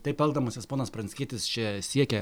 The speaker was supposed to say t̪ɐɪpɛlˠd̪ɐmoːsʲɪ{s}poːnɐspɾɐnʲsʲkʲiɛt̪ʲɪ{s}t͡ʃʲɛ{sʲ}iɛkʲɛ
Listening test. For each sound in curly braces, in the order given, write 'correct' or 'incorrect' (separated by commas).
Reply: correct, correct, correct